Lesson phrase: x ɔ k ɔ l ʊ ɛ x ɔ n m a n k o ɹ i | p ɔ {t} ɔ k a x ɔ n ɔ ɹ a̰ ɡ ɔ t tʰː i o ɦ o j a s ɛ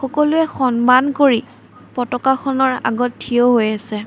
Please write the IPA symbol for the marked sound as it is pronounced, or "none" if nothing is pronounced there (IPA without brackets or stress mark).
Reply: t